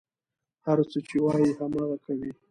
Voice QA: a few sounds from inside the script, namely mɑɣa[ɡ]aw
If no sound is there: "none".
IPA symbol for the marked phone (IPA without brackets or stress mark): k